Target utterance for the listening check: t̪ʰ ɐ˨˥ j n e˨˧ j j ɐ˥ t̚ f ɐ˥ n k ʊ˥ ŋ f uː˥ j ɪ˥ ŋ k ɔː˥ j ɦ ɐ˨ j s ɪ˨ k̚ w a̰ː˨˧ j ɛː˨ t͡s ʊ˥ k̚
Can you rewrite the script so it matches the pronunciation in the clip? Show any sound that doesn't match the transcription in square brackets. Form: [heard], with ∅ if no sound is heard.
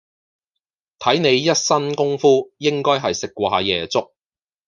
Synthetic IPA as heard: t̪ʰ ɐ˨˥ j n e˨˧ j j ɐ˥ t̚ [s] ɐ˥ n k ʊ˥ ŋ f uː˥ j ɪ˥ ŋ k ɔː˥ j ɦ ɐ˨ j s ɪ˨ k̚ w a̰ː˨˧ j ɛː˨ t͡s ʊ˥ k̚